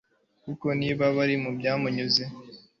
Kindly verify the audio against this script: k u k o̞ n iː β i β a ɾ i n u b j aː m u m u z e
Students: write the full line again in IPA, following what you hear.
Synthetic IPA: k u k o̞ n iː β a β a ɾ i m u b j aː m u ɲ u z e